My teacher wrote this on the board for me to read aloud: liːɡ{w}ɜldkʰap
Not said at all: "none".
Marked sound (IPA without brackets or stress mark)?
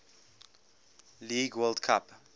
w